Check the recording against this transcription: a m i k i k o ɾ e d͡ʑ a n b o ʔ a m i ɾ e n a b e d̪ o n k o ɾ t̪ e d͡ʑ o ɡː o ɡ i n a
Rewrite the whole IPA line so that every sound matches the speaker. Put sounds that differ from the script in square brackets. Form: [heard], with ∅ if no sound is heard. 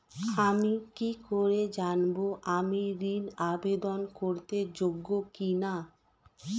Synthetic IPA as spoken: a m i k i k o ɾ e d͡ʑ a n b o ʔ a m i ɾ [i] n a b e d̪ o n k o ɾ t̪ e d͡ʑ o ɡː o [k] i n a